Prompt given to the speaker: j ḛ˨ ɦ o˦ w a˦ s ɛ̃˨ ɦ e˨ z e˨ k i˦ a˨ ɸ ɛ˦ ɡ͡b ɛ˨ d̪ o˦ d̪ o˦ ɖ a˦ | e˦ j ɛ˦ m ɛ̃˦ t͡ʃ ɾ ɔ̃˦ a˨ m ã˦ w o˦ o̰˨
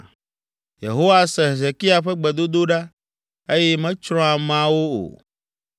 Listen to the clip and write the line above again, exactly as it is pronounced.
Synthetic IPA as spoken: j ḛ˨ ɦ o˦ w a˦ s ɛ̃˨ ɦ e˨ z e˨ k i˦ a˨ ɸ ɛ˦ ɡ͡b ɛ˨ d̪ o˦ d̪ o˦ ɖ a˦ | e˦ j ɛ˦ m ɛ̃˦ t͡ʃ ɾ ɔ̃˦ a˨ m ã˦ w o˦ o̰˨